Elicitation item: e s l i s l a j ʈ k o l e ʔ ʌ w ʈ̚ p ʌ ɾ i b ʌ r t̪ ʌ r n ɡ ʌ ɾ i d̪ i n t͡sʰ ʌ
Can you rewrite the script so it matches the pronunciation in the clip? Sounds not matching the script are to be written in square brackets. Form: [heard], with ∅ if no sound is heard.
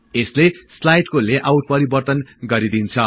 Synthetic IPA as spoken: e s l [e] s l a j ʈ k o l e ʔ [a] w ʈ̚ p ʌ ɾ i b ʌ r t̪ ʌ [∅] n ɡ ʌ ɾ i d̪ i n t͡sʰ ʌ